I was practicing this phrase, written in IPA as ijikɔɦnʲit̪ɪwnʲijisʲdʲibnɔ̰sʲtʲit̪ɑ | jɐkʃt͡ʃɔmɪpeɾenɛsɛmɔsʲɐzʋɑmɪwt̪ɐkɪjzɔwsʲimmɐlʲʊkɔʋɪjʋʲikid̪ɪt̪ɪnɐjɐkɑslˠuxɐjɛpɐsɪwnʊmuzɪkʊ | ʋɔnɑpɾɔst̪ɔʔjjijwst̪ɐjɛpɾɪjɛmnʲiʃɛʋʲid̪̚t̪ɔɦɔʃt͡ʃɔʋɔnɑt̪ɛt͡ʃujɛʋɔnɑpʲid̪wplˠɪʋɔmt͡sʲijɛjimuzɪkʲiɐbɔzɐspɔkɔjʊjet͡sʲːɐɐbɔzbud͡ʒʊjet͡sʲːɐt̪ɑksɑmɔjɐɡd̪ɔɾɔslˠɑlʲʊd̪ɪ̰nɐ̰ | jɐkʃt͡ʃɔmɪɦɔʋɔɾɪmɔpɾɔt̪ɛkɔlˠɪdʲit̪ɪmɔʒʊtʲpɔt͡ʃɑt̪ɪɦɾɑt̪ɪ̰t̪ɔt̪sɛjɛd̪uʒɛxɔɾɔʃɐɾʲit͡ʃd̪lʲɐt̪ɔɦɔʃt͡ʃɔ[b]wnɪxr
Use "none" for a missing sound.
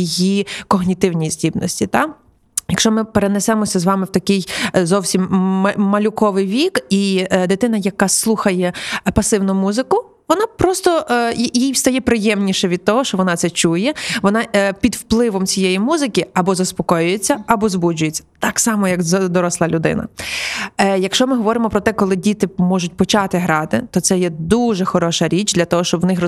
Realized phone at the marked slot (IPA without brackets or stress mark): b